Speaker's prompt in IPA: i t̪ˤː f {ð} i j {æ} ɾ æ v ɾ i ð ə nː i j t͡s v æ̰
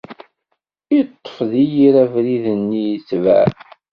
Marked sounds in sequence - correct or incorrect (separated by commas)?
correct, incorrect